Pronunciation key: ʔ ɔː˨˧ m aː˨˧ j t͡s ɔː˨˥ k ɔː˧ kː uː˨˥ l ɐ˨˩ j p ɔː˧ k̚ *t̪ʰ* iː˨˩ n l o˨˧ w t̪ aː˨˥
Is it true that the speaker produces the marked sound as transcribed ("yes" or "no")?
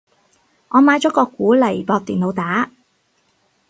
no